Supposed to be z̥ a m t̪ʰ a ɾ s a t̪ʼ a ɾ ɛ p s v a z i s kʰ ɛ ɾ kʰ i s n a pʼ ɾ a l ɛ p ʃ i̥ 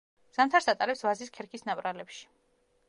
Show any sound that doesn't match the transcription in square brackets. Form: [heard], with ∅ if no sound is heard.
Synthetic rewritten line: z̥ a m t̪ʰ a ɾ s a t̪ʼ a ɾ ɛ p s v a z i s kʰ ɛ ɾ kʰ i s n a pʼ ɾ a l ɛ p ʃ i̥